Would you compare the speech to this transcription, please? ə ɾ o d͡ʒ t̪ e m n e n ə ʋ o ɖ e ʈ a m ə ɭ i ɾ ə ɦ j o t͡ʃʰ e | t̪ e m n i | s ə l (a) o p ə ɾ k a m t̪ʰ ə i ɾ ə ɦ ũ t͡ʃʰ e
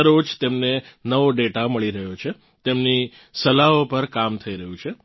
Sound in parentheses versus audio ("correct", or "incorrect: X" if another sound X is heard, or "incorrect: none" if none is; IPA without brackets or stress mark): correct